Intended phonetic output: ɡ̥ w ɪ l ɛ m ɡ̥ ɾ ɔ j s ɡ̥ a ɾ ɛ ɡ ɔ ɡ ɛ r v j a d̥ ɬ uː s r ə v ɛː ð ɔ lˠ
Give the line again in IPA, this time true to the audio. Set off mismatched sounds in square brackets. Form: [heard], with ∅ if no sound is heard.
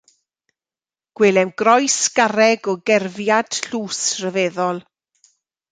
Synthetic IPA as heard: ɡ̥ w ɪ l ɛ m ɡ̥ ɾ ɔ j s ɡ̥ a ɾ ɛ ɡ ɔ ɡ ɛ r v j a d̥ ɬ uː s r ə v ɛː ð ɔ lˠ